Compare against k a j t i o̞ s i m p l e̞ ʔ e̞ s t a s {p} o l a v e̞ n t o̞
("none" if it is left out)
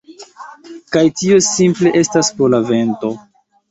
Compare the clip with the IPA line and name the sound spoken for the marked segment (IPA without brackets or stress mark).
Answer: p